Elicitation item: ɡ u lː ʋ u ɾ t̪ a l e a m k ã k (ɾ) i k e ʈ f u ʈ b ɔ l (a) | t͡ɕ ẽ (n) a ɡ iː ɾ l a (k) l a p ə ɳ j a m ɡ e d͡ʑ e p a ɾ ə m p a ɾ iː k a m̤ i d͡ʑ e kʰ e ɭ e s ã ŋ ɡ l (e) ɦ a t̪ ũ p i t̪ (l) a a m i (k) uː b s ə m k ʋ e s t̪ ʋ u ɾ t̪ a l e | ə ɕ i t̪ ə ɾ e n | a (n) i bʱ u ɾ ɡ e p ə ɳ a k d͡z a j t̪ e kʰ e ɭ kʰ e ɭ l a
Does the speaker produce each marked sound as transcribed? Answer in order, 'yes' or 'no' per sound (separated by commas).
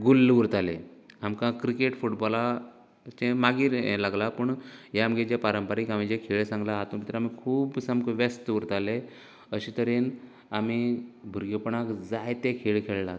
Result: yes, yes, no, no, no, no, no, no